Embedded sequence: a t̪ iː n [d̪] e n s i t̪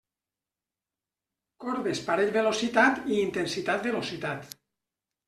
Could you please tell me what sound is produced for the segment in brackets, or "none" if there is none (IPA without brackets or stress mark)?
t̪